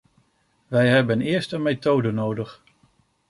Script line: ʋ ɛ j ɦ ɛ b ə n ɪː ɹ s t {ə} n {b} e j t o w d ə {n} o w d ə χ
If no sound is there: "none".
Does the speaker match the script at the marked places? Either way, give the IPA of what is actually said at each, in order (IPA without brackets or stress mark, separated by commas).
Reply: ə, m, n